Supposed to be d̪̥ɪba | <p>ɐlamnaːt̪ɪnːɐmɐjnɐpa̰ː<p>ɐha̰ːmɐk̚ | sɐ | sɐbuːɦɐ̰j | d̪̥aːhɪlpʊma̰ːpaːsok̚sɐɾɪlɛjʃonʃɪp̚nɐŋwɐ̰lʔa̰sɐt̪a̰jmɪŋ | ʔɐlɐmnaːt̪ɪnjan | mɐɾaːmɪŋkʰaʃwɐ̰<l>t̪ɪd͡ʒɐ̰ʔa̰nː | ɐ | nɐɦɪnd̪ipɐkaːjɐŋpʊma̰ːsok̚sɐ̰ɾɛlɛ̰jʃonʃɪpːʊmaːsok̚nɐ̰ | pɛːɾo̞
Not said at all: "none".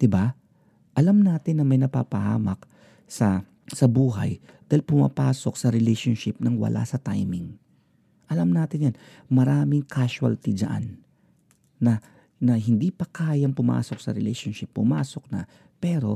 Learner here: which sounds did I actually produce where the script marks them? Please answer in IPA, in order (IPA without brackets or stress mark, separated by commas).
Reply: ʔ, p, l